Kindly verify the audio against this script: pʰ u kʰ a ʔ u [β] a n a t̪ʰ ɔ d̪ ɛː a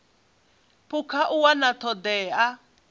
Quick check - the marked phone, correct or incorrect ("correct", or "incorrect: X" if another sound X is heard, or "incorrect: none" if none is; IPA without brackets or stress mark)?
incorrect: w